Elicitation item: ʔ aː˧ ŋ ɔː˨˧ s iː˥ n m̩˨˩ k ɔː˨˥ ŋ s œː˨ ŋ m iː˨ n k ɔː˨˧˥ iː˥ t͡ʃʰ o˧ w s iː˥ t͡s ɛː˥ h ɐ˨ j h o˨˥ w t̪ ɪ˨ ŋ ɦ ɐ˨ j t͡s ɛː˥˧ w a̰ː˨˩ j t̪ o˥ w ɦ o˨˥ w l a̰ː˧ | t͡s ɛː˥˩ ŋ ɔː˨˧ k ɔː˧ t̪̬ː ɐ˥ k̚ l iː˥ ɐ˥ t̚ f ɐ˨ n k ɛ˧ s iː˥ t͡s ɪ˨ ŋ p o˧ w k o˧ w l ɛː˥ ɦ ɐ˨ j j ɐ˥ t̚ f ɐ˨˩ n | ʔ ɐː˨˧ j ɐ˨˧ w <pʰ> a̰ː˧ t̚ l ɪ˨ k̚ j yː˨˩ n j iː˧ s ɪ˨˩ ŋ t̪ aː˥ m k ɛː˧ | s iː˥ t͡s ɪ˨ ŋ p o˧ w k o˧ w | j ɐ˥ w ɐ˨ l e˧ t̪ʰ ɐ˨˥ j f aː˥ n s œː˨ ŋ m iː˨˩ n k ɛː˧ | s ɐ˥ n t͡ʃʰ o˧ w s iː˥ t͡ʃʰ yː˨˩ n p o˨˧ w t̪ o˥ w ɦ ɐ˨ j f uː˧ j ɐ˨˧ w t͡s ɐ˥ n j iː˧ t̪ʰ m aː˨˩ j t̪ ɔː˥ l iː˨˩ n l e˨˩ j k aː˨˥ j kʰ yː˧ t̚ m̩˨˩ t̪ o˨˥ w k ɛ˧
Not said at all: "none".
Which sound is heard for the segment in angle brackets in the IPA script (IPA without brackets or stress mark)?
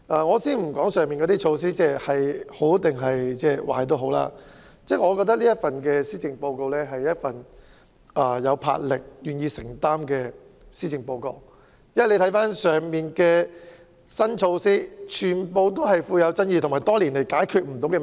pʰ